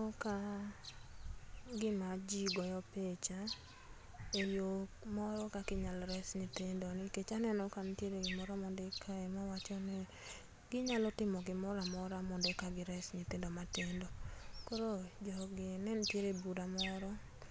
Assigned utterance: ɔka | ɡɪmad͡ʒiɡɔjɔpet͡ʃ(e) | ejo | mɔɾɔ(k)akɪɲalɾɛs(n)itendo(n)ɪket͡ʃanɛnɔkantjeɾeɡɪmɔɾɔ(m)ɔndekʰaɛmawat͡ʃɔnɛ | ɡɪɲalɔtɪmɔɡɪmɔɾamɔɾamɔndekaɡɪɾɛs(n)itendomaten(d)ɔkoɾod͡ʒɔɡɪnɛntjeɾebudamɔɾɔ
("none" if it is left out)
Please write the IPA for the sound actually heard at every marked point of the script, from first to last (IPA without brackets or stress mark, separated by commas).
a, k, ɲ, n, m, ɲ, d